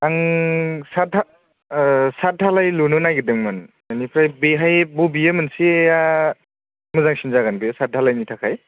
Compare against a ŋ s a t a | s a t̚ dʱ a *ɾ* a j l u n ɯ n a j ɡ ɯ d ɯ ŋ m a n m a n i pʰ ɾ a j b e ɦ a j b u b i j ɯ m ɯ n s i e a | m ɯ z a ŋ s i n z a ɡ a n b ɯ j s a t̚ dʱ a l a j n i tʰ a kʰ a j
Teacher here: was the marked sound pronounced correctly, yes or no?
no